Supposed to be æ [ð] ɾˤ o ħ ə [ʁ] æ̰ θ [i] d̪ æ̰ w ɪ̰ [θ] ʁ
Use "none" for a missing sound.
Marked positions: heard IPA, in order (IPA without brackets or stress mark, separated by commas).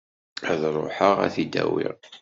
ð, ʁ, i, none